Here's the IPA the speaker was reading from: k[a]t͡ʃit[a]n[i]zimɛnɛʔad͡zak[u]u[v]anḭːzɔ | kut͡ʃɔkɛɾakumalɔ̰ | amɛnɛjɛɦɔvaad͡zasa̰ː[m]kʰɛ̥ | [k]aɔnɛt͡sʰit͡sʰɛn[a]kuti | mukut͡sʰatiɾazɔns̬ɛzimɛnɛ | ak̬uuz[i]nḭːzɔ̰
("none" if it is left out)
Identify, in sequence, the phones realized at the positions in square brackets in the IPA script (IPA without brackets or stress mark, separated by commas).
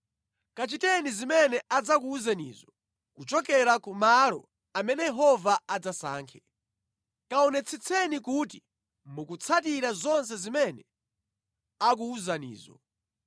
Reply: a, ɛ, i, u, z, ŋ, k, i, a